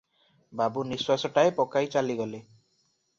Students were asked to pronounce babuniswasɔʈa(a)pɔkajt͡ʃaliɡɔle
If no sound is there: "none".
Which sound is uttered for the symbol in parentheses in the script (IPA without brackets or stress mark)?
e